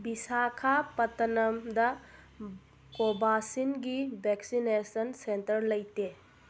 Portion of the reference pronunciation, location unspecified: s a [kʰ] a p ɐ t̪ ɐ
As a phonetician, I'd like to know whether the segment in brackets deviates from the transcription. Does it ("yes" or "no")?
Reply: no